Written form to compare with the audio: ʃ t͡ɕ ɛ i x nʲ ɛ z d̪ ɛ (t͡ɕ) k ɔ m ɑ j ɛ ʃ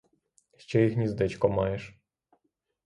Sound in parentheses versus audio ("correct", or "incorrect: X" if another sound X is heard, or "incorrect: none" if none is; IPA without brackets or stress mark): correct